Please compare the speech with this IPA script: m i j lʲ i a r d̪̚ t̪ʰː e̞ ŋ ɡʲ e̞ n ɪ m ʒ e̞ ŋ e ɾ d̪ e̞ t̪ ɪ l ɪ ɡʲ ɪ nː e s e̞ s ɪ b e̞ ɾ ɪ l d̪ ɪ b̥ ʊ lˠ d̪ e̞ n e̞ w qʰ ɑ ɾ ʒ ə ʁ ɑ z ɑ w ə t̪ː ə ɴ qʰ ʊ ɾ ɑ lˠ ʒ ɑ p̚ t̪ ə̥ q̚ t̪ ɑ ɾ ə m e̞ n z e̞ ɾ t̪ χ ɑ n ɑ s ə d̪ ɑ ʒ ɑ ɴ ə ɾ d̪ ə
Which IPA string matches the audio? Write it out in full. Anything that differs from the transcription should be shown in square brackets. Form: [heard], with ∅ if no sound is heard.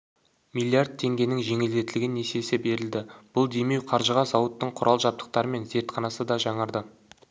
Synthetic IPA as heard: m i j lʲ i a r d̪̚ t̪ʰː e̞ ŋ ɡʲ e̞ n ɪ [ŋ] ʒ e̞ ŋ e [l] d̪ e̞ t̪ ɪ l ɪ ɡʲ ɪ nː e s e̞ s ɪ b e̞ ɾ ɪ l d̪ ɪ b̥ ʊ lˠ d̪ e̞ [m] e̞ w qʰ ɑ ɾ ʒ ə ʁ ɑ z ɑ w ə t̪ː ə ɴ qʰ ʊ ɾ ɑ lˠ ʒ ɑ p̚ t̪ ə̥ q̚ t̪ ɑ ɾ ə m e̞ n z e̞ ɾ t̪ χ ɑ n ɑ s ə d̪ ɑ ʒ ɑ ɴ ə ɾ d̪ ə